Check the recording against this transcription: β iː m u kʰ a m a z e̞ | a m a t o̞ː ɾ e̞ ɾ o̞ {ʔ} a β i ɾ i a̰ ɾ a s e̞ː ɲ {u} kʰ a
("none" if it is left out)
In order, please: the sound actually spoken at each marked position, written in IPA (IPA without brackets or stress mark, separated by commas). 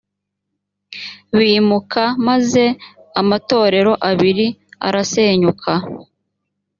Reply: ʔ, u